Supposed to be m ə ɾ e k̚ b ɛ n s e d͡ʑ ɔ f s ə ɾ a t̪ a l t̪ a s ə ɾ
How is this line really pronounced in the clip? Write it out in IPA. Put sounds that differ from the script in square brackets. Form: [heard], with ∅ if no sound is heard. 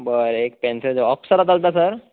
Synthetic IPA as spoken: [b] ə ɾ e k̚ [p] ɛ n s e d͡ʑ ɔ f s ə ɾ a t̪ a l t̪ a s ə ɾ